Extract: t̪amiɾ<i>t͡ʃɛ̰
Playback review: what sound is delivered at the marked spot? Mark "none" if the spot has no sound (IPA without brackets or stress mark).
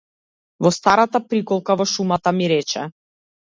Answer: ɛ